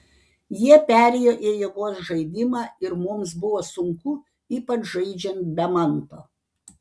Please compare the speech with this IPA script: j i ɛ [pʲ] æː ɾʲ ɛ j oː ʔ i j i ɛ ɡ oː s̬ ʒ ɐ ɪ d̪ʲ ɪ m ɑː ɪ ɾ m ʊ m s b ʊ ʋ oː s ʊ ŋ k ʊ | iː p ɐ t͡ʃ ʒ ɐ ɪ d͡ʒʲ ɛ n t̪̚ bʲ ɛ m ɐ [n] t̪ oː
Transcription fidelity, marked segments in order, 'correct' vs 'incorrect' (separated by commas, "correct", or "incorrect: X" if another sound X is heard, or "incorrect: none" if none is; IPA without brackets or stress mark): correct, correct